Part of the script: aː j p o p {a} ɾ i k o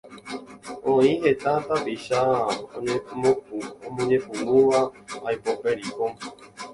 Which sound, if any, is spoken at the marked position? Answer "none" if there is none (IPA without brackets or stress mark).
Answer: e